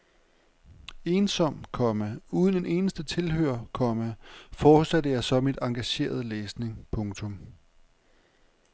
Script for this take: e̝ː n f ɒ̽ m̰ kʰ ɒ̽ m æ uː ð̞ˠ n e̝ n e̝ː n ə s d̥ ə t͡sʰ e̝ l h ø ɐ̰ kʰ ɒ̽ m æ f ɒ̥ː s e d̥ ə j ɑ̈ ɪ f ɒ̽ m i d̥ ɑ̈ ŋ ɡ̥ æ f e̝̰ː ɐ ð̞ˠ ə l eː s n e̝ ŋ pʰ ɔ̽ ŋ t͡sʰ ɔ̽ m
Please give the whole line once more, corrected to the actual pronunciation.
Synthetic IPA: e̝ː n s ɒ̽ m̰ kʰ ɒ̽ m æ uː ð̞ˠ n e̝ n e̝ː n ə s d̥ ə t͡sʰ e̝ l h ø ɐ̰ kʰ ɒ̽ m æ f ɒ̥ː s æ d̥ ə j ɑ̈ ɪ s ɒ̽ m i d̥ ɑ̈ ŋ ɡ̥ æ ɕ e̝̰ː ɐ ð̞ˠ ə l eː s n e̝ ŋ pʰ ɔ̽ ŋ t͡sʰ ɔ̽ m